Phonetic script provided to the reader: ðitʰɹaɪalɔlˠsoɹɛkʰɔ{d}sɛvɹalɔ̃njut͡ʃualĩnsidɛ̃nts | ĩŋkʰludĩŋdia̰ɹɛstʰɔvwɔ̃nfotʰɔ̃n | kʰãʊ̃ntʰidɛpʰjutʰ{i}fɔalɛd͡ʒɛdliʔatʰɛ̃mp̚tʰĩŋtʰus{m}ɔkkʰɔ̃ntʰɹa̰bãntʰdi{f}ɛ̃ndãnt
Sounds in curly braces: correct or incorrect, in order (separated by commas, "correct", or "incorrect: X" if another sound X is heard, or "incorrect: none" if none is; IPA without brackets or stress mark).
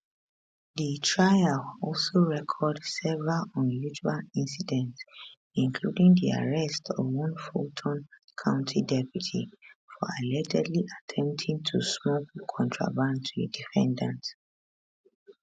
correct, correct, correct, correct